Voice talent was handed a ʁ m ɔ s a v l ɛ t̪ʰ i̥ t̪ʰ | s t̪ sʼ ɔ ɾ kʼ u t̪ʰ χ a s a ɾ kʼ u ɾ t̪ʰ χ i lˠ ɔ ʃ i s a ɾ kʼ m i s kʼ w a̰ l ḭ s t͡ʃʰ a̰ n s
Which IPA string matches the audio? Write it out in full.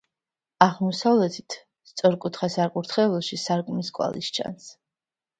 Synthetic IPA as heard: a ʁ m ɔ s a v l ɛ t̪ʰ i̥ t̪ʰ | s t̪ sʼ ɔ ɾ kʼ u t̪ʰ χ a s a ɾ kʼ u ɾ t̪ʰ χ ɛ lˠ ɔ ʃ i s a ɾ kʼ m i s kʼ w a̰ l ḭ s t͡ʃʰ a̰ n s

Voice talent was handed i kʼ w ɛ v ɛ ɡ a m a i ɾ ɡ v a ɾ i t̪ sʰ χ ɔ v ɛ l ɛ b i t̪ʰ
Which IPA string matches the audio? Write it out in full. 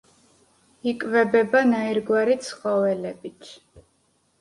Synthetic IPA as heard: i kʼ v ɛ b ɛ b a n a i ɾ ɡ w a ɾ i t̪ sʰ χ ɔ v ɛ l ɛ b i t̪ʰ

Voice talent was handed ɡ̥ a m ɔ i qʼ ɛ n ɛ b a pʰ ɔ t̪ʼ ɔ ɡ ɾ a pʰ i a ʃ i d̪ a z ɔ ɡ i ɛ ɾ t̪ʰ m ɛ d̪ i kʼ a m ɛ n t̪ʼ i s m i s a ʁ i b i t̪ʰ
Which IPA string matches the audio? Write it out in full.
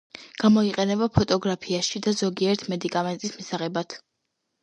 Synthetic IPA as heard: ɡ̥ a m ɔ i qʼ ɛ n ɛ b a pʰ ɔ t̪ʼ ɔ ɡ ɾ a pʰ i a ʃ i d̪ a z ɔ ɡ i ɛ ɾ t̪ʰ m ɛ d̪ i kʼ a m ɛ n t̪ʼ i s m i s a ʁ ɛ b a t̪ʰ

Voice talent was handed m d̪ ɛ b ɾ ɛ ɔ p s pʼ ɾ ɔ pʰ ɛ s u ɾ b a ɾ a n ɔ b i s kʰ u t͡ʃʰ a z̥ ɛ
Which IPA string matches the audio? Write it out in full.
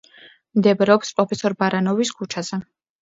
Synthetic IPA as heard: m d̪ ɛ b ɾ ɛ ɔ p s pʼ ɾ ɔ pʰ ɛ s ɔ ɾ b a ɾ a n ɔ v i s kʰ u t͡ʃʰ a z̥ ɛ

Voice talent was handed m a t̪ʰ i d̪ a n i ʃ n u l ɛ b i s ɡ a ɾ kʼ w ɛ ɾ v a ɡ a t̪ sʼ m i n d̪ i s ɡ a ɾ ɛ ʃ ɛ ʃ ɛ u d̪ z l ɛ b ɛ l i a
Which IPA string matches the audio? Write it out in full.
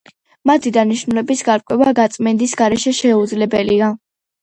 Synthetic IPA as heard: m a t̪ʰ i d̪ a n i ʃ n u l ɛ b i s ɡ a ɾ kʼ w ɛ v a ɡ a t̪ sʼ m ɛ n d̪ i s ɡ a ɾ ɛ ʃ ɛ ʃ ɛ u d̪ z l ɛ b ɛ l i a

